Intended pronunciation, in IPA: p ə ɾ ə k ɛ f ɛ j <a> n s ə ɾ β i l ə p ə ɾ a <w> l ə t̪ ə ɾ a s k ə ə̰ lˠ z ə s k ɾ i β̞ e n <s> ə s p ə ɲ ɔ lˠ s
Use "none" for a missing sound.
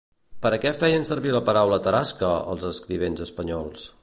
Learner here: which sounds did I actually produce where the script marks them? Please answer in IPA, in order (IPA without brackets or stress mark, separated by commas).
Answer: ə, w, z